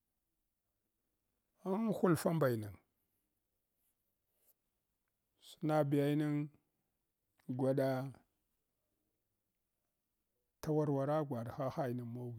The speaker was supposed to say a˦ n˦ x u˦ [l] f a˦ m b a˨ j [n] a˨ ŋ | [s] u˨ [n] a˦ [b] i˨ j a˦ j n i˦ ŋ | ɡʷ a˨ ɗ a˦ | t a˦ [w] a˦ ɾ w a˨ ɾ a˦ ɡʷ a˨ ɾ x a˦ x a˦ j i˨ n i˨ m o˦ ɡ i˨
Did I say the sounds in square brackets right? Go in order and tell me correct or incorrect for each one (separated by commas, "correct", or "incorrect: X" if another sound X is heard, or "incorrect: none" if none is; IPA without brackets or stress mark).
correct, correct, correct, correct, correct, correct